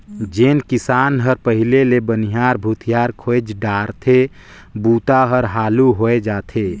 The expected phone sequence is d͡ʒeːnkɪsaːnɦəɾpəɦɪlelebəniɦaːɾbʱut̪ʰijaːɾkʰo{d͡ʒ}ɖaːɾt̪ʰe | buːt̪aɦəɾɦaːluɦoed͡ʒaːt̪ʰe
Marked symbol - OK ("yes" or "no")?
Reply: yes